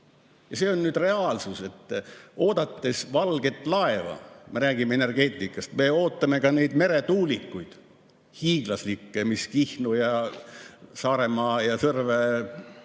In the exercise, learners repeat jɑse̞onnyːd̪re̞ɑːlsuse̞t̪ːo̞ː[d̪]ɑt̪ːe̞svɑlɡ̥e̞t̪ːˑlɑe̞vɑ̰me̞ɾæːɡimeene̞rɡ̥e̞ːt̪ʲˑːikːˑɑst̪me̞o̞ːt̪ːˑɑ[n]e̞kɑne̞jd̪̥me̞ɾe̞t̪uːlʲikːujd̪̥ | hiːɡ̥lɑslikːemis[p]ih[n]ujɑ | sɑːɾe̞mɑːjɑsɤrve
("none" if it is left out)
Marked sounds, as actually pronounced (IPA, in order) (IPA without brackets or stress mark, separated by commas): d̪, m, k, n